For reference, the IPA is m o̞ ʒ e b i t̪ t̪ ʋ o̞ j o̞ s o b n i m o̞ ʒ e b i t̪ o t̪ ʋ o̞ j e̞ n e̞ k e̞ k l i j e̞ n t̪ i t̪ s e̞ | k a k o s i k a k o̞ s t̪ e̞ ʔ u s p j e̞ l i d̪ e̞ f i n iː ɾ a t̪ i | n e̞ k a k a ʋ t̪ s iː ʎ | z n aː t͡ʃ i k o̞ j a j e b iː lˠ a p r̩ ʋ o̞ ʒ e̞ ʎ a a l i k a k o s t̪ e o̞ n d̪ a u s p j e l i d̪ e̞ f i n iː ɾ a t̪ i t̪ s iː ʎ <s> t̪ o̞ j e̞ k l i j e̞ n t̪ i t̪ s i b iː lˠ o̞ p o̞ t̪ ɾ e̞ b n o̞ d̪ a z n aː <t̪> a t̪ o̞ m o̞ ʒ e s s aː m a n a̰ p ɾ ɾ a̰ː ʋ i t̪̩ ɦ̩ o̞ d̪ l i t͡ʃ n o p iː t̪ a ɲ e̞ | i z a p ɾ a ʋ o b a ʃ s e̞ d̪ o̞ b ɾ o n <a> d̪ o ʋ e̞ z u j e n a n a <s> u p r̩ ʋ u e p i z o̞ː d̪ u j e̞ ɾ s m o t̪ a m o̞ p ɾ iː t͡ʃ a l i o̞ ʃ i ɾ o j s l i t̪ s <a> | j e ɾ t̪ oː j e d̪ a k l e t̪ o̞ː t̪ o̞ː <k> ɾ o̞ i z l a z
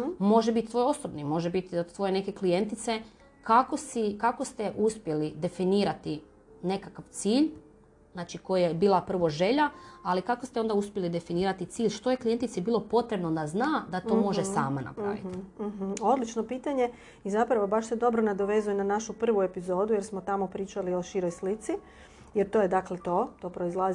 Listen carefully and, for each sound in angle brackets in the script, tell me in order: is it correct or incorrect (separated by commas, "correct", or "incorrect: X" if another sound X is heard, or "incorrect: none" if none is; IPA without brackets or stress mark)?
incorrect: ʃ, incorrect: d̪, correct, incorrect: ʃ, incorrect: i, incorrect: p